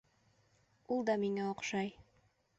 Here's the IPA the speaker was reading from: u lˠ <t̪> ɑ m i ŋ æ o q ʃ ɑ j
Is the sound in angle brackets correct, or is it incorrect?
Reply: incorrect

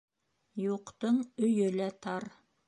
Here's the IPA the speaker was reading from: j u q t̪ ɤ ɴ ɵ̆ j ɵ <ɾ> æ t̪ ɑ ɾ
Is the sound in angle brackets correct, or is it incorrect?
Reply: incorrect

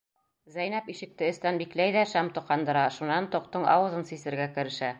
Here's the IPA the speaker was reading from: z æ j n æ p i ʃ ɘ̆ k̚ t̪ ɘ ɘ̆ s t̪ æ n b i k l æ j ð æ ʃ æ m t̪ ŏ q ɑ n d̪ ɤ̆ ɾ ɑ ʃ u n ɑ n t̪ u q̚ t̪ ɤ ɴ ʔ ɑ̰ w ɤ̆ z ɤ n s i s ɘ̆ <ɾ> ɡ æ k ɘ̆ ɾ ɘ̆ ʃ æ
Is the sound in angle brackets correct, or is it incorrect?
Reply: correct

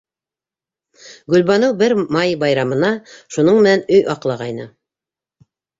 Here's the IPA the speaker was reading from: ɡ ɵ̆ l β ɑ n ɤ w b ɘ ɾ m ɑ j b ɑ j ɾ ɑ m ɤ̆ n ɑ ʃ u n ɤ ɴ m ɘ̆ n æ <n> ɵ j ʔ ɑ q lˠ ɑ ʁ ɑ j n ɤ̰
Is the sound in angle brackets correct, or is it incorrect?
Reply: correct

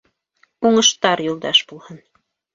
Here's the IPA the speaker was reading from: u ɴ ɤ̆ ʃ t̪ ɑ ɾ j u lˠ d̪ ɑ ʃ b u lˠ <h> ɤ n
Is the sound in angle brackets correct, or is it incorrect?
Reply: correct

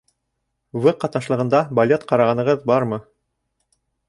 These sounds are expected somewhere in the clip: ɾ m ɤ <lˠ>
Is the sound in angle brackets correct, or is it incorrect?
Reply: incorrect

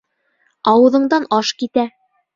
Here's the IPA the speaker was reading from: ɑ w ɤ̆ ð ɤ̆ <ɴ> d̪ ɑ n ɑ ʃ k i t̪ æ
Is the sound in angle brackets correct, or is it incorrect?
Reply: correct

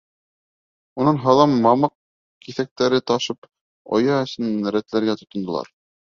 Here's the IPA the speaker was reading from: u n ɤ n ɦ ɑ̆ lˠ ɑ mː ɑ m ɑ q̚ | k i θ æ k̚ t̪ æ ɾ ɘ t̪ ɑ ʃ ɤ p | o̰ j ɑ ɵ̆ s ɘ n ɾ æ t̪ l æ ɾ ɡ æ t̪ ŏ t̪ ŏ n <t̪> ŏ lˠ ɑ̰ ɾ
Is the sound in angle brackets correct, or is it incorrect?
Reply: incorrect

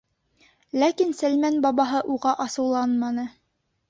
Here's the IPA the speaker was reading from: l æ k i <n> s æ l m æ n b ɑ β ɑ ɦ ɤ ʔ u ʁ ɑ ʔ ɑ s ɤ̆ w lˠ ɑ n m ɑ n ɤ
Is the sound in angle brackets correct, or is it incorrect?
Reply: correct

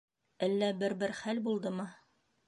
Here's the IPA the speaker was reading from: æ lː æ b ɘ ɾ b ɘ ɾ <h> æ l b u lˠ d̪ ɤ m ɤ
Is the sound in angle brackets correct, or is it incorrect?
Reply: incorrect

